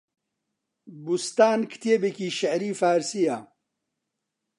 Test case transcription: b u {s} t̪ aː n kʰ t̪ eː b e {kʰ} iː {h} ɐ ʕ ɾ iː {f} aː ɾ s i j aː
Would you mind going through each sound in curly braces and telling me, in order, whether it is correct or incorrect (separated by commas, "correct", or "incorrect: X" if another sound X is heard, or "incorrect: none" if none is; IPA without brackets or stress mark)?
correct, incorrect: k, incorrect: ʃ, correct